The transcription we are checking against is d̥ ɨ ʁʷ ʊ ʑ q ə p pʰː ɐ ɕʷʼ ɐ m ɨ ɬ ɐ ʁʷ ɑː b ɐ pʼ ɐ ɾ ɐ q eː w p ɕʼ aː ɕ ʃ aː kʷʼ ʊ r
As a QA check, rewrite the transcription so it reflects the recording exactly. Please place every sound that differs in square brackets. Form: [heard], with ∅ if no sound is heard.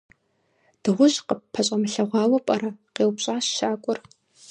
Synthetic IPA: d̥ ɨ ʁʷ ʊ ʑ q ə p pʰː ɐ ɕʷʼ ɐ m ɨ ɬ ɐ ʁʷ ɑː [w] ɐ pʼ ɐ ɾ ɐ q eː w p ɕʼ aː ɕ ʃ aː kʷʼ ʊ r